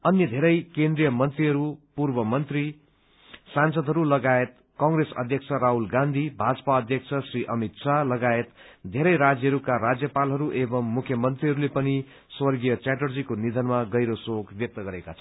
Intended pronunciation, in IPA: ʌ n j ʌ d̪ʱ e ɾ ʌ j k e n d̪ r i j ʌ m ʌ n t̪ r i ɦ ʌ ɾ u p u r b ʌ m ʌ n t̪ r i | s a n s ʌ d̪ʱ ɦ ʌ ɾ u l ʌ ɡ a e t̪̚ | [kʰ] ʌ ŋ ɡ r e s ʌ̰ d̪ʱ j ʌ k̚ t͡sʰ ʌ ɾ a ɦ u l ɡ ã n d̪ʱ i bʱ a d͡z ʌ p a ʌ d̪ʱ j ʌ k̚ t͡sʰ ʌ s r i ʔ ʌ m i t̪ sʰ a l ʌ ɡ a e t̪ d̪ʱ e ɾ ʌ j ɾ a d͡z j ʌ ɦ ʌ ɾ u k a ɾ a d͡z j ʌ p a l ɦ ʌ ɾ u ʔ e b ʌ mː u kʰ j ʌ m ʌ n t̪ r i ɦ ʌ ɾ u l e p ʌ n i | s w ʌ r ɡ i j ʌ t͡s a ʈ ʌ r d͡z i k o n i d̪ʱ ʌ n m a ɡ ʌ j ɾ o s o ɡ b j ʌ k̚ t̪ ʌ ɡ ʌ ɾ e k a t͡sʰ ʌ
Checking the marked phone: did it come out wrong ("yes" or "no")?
yes